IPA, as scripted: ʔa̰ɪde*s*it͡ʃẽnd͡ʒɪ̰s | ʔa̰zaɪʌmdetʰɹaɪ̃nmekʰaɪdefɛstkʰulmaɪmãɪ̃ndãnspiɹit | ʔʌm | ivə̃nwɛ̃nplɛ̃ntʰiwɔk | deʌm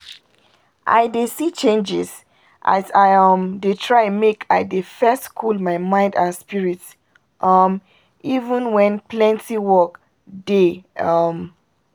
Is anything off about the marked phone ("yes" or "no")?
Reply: no